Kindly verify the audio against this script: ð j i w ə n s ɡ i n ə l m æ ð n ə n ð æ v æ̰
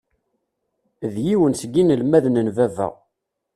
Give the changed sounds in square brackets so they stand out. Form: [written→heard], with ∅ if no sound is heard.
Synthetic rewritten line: ð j i w ə n s ɡ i n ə l m æ ð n ə n [ð→v] æ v æ̰